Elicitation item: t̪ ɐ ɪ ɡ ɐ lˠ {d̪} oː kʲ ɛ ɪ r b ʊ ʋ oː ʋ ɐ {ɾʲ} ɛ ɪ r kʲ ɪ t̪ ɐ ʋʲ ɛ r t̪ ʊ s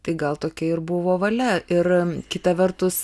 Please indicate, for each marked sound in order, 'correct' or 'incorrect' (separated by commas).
incorrect, incorrect